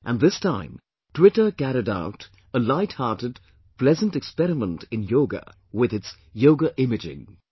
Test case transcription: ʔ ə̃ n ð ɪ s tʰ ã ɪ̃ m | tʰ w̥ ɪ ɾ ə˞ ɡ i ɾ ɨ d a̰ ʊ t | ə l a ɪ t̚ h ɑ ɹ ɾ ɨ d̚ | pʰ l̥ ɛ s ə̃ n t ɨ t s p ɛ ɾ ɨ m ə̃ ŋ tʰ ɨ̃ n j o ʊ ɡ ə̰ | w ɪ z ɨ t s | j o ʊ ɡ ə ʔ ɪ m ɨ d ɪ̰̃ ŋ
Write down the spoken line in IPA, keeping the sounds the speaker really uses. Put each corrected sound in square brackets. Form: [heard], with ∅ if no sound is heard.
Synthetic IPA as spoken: ʔ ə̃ n ð ɪ s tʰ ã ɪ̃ m | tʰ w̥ ɪ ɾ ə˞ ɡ [æ] ɾ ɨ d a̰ ʊ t | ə l a ɪ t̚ h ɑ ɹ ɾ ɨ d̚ | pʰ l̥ ɛ [z] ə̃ n t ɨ [k] s p ɛ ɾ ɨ m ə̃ [n] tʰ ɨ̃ n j o ʊ ɡ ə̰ | w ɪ [ð] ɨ t s | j o ʊ ɡ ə ʔ ɪ m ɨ [d͡ʒ] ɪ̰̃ ŋ